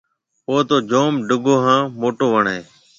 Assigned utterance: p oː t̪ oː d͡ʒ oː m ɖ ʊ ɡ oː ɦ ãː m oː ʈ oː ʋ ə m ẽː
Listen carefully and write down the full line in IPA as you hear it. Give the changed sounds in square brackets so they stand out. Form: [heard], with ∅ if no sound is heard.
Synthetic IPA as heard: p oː t̪ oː d͡ʒ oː m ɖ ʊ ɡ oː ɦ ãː m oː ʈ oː ʋ ə [ɳ] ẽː